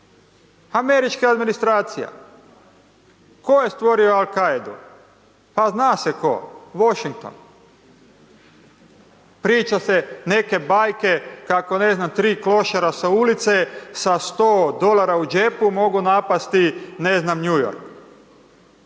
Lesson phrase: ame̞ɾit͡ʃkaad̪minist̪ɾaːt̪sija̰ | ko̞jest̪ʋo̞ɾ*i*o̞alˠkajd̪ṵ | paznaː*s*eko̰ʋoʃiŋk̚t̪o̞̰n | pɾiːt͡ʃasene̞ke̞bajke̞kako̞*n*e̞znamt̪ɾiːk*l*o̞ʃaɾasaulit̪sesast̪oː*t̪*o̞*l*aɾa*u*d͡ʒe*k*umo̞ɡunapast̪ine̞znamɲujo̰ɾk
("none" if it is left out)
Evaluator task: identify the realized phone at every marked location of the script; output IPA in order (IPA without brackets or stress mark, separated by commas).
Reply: i, s, n, l, d̪, l, u, p